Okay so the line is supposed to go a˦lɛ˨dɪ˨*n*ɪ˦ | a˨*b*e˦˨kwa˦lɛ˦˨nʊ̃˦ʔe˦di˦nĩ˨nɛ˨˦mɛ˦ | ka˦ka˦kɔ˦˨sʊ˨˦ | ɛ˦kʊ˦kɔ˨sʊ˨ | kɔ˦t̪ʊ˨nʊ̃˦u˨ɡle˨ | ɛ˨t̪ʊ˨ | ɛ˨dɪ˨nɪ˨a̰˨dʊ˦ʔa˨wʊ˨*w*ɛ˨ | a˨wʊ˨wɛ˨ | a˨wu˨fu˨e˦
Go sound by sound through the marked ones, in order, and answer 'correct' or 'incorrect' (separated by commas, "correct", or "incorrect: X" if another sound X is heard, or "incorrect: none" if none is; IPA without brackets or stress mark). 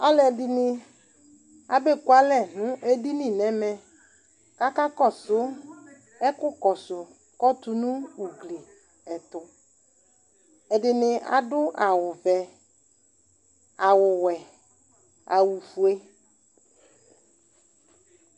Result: correct, correct, incorrect: v